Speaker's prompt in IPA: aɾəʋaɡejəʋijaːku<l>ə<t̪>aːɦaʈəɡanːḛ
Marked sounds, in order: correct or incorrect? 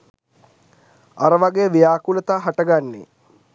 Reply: correct, correct

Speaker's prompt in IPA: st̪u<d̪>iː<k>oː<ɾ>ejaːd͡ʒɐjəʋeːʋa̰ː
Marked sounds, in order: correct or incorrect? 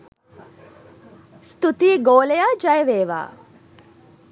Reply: incorrect, incorrect, incorrect

